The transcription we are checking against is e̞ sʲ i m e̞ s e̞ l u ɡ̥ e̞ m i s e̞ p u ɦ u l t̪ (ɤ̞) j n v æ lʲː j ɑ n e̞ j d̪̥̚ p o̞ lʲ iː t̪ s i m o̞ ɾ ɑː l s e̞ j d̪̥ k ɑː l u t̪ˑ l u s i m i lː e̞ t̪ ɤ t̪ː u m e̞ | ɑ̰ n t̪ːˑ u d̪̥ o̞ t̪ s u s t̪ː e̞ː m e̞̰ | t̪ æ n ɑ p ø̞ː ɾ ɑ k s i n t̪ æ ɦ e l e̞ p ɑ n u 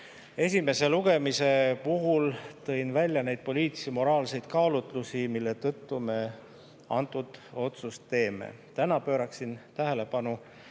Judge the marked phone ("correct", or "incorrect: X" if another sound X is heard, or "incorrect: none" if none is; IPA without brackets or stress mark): correct